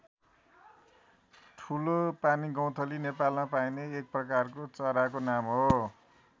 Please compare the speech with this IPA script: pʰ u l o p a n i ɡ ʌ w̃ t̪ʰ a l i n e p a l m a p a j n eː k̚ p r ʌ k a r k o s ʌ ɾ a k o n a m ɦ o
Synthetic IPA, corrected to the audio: ʈʰ u l o p a n i ɡ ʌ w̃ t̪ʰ ʌ l i n e p a l m a p a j n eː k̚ p r ʌ k a r k o t͡s ʌ ɾ a k o n a m ɦ o